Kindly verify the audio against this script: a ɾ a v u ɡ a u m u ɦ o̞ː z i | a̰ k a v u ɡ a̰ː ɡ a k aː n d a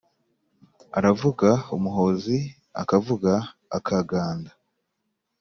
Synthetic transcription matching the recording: a ɾ a v u ɡ a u m u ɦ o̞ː z i | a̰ k a v u ɡ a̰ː k a ɡ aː n d a